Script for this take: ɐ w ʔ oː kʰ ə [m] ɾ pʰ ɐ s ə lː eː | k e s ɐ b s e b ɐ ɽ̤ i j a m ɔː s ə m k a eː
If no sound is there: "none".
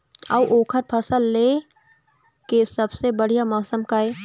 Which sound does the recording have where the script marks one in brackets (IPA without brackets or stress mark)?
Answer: none